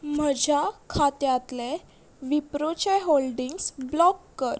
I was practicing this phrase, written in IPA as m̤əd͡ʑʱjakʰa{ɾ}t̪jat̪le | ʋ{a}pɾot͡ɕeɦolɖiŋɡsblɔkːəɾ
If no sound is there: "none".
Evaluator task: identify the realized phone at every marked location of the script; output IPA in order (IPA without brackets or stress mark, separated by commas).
none, i